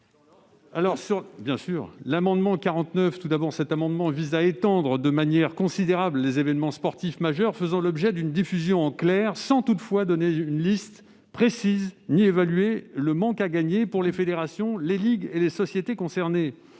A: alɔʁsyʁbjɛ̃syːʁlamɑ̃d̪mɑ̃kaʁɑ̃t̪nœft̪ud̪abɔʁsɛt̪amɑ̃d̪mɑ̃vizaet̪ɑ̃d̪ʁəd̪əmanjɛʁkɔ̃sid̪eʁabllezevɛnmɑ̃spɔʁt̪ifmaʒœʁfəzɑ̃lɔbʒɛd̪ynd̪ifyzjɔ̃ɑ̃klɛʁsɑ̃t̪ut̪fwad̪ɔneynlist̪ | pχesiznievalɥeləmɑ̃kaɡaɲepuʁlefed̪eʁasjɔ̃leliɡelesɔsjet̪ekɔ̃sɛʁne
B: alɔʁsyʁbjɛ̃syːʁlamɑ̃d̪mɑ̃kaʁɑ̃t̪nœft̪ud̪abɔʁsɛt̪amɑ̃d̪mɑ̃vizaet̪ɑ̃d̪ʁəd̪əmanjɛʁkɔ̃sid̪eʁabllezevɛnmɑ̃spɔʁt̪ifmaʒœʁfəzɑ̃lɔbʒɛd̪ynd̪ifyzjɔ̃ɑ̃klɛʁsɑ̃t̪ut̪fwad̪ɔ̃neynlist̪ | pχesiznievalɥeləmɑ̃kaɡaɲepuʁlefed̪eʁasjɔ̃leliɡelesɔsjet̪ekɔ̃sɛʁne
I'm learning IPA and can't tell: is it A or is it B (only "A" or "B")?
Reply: A